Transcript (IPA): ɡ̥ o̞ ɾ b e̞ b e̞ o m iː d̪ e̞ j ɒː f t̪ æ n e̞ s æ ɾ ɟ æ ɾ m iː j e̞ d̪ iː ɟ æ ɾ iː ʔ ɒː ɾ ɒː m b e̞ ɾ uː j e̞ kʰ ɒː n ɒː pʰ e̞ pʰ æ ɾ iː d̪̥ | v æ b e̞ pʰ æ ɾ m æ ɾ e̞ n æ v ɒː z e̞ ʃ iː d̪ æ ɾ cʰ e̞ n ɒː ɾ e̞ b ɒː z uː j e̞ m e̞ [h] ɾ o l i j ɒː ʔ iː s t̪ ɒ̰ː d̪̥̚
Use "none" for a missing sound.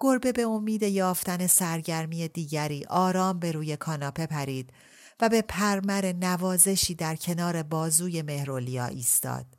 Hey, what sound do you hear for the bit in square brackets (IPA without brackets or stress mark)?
h